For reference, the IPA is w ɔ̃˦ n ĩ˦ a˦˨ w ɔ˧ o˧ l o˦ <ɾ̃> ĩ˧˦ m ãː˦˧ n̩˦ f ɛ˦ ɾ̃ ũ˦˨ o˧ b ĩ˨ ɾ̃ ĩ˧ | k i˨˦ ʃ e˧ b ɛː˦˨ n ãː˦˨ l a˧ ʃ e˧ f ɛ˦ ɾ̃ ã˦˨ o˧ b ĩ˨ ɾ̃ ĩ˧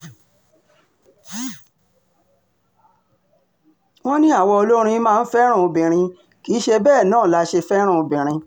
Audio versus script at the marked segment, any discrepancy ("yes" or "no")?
no